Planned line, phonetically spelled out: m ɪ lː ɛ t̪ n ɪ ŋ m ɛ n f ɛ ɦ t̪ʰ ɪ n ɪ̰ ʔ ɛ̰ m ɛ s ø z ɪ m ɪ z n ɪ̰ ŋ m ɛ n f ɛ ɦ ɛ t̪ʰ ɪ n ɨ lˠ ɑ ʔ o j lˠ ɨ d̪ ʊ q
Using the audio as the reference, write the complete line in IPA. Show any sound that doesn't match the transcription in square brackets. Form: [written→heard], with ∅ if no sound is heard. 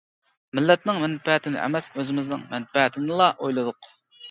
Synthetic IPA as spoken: m ɪ lː ɛ t̪ n ɪ ŋ m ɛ n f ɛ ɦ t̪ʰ ɪ n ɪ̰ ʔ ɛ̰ m ɛ s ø z ɪ m ɪ z n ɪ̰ ŋ m ɛ n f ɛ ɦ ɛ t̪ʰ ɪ n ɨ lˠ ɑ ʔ o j lˠ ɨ d̪ ʊ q